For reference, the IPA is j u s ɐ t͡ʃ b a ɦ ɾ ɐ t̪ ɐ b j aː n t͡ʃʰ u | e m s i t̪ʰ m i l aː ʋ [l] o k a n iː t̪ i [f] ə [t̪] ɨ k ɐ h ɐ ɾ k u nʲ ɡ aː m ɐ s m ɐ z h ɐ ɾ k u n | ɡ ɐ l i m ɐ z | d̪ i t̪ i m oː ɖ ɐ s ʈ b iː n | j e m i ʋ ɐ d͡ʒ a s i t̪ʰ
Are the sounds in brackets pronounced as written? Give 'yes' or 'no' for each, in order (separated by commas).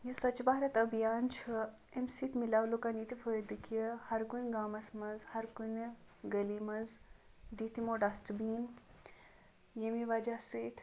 yes, yes, no